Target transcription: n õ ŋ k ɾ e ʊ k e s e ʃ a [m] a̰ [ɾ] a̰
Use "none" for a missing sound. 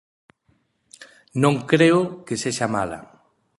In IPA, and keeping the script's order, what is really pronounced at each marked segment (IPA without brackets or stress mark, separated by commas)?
m, l